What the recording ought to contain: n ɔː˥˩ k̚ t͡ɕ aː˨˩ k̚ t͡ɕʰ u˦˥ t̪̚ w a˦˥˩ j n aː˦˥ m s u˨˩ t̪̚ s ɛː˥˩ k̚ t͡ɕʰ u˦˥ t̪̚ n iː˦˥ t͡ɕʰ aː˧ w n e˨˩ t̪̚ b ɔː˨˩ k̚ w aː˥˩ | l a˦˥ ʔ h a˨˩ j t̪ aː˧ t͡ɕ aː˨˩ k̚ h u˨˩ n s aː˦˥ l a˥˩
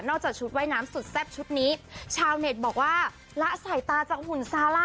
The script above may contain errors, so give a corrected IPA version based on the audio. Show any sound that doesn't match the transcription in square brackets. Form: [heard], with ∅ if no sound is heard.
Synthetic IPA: n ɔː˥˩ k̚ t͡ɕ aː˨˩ k̚ t͡ɕʰ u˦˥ t̪̚ w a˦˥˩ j n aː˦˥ m s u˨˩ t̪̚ s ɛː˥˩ [p̚] t͡ɕʰ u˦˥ t̪̚ n iː˦˥ t͡ɕʰ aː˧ w n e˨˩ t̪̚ b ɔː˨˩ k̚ w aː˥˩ | l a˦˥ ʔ [s] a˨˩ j t̪ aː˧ t͡ɕ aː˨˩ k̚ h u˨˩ n s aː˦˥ l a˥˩